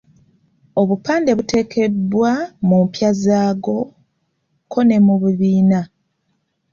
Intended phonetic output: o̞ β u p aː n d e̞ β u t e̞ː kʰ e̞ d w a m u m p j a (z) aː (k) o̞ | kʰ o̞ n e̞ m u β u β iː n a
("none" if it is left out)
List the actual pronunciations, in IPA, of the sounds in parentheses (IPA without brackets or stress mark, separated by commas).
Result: z, ɡ